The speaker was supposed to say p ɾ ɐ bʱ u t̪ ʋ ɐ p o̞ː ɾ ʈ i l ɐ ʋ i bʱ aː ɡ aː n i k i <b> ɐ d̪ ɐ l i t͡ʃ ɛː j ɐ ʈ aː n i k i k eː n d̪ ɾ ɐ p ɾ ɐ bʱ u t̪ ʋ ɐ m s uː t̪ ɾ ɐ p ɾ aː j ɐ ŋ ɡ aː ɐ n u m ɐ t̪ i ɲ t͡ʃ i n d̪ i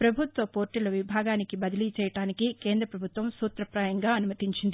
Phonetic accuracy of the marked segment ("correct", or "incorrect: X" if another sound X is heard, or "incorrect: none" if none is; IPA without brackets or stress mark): correct